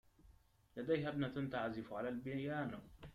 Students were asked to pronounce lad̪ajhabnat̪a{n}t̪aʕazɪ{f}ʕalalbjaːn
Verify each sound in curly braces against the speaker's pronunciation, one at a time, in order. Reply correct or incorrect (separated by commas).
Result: correct, correct